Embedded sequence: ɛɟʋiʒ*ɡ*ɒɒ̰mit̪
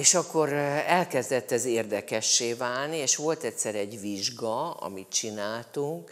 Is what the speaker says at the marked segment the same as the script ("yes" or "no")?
yes